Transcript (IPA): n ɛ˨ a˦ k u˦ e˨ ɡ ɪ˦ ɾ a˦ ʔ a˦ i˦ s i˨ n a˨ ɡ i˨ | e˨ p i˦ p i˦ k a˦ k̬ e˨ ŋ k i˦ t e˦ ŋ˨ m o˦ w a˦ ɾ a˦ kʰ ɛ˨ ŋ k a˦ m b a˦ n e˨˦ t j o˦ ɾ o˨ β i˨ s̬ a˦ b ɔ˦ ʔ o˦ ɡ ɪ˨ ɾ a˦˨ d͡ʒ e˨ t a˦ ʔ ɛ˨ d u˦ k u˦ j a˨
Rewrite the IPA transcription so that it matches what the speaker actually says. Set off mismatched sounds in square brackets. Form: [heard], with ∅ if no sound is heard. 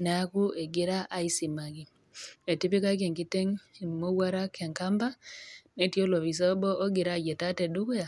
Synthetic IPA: n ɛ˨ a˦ k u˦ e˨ ɡ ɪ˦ ɾ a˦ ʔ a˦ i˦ s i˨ [m] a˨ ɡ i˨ | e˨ [t] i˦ p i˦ k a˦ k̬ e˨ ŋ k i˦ t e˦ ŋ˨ m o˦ w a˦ ɾ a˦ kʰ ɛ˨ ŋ k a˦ m b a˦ n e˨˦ t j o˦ [l] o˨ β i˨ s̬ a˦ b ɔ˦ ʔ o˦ ɡ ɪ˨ ɾ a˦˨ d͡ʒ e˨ t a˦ [t] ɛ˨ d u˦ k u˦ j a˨

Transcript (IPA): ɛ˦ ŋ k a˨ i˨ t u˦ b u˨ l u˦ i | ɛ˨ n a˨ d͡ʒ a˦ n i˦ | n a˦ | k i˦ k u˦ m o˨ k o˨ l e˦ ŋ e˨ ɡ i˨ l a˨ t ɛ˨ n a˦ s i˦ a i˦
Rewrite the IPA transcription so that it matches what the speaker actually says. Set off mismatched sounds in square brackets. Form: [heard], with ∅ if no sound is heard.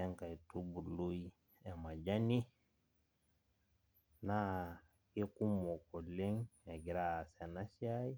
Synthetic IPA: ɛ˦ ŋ k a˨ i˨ t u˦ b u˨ l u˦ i | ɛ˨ [m] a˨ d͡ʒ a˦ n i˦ | n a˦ | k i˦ k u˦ m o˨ k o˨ l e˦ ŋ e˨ ɡ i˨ [ɾ] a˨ [s] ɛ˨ n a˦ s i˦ a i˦

